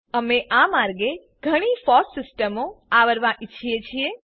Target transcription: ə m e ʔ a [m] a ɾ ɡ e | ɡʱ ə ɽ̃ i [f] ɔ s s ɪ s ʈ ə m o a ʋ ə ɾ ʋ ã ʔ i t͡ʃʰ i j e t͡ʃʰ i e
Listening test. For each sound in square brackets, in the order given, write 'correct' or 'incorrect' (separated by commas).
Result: correct, correct